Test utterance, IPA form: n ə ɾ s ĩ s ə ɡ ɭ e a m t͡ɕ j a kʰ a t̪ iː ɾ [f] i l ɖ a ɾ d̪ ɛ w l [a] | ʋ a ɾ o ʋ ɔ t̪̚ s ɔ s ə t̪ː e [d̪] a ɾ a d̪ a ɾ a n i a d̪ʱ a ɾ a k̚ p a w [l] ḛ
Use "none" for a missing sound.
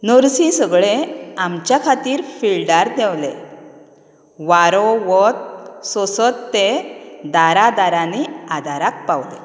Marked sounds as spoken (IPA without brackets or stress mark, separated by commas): f, e, d̪, l